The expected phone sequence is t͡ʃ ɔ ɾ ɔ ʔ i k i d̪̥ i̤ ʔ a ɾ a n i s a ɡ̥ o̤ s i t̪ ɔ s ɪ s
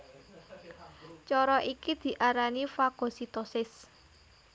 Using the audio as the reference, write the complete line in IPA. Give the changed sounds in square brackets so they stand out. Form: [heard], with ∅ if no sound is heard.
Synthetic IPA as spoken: t͡ʃ ɔ ɾ ɔ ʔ i k i d̪̥ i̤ ʔ a ɾ a n i [f] a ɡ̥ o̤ s i t̪ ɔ s ɪ s